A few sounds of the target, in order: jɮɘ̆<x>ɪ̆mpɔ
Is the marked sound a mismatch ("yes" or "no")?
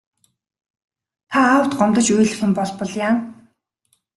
no